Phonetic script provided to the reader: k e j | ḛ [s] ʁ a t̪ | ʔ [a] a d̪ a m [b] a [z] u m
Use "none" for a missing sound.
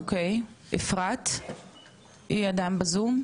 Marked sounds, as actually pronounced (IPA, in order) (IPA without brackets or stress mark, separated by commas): f, i, b, z